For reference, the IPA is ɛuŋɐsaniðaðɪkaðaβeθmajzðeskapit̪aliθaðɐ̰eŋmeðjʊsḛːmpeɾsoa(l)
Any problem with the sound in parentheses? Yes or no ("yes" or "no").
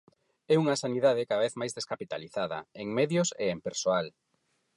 no